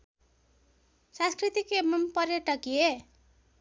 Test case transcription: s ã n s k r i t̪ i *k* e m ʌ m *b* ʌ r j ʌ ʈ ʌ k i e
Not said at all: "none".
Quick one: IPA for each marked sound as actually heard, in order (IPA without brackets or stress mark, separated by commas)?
k, p